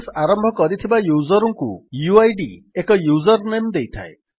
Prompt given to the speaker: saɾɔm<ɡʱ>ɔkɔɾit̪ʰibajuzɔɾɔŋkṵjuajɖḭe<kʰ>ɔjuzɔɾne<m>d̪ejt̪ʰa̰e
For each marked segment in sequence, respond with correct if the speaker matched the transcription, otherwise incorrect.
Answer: incorrect: bʱ, incorrect: k, correct

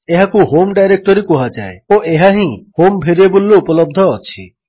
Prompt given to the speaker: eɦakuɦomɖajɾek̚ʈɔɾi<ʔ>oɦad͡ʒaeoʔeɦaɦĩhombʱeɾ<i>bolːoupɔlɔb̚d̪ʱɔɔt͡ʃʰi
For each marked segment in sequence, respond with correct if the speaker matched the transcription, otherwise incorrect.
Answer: incorrect: k, incorrect: e

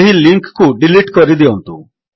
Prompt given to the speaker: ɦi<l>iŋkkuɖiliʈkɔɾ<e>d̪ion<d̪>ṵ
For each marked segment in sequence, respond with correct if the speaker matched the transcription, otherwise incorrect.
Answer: correct, incorrect: i, incorrect: t̪

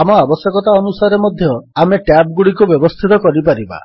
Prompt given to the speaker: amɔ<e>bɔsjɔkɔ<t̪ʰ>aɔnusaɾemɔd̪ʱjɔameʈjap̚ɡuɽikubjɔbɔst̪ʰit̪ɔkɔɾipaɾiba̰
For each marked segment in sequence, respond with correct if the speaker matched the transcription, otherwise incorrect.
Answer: incorrect: a, incorrect: t̪

